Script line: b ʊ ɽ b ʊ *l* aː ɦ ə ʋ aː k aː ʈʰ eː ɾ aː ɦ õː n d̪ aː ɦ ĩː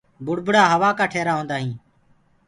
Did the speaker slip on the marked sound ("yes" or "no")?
yes